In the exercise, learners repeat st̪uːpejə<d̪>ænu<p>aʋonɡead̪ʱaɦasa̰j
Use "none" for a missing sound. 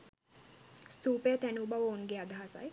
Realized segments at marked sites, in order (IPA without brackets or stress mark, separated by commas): t̪, b